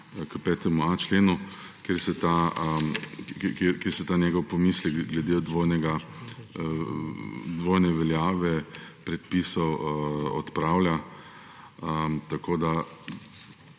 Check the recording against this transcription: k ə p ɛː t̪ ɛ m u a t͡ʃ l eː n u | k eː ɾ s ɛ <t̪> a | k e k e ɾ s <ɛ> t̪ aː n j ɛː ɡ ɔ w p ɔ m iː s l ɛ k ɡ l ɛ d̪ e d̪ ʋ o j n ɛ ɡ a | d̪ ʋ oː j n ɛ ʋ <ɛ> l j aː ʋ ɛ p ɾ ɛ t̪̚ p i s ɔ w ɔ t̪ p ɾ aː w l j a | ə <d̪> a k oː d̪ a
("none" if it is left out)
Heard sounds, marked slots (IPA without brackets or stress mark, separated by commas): t̪, ɛ, ɛ, t̪